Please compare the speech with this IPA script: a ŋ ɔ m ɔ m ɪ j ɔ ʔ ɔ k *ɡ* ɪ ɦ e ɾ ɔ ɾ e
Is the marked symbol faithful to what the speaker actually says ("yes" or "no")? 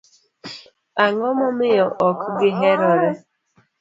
yes